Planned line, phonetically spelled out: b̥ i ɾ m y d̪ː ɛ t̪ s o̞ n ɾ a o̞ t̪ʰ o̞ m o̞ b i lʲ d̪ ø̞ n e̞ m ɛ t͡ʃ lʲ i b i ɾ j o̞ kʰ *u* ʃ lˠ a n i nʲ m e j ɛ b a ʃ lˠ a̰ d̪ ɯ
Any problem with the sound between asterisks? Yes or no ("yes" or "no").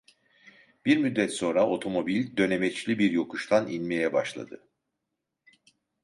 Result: no